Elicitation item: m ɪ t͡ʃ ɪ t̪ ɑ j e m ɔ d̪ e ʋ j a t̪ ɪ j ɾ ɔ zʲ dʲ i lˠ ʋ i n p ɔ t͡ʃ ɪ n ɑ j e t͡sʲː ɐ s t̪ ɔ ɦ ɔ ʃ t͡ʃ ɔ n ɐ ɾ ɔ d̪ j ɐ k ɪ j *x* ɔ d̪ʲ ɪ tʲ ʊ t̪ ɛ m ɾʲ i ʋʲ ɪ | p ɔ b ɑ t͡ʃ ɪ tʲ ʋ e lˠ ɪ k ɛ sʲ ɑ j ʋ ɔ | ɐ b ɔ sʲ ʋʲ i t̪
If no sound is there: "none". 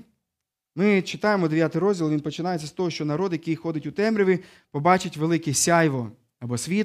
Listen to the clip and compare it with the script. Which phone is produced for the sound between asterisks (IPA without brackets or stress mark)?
x